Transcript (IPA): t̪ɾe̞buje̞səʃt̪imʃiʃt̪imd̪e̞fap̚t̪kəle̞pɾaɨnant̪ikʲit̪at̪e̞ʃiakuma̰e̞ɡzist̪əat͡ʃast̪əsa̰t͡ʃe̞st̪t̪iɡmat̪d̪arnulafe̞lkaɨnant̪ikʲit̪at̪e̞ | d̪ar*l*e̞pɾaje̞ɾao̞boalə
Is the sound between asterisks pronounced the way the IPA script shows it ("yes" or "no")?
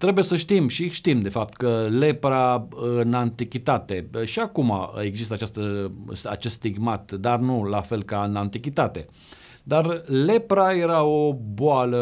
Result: yes